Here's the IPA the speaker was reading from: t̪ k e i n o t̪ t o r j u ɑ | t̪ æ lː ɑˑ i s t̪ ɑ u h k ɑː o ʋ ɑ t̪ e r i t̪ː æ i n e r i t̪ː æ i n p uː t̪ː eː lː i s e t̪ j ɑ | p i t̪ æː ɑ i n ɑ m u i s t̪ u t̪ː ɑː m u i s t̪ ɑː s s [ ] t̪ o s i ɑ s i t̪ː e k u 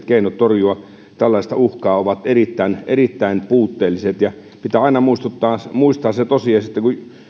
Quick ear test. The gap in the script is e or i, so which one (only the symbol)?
e